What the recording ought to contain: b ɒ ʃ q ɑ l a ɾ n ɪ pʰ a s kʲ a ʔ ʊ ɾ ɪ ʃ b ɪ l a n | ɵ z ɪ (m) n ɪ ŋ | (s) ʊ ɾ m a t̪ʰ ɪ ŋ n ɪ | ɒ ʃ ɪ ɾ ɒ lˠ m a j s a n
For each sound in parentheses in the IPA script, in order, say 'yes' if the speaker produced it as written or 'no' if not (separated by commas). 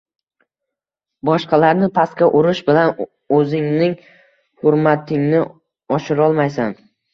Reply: no, no